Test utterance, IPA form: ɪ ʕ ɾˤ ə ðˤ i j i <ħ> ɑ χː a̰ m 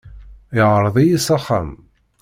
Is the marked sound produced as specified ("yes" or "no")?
no